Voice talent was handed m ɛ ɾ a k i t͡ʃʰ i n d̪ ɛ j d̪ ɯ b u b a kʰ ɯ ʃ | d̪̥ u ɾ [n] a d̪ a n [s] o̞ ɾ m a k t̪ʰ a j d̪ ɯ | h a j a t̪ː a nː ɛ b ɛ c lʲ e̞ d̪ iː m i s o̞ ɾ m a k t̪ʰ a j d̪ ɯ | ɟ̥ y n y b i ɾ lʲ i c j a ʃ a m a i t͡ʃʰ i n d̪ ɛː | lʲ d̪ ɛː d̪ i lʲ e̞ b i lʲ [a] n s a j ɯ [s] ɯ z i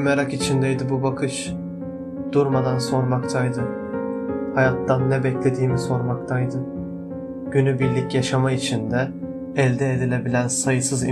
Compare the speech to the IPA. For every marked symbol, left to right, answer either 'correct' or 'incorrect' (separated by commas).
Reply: incorrect, correct, incorrect, correct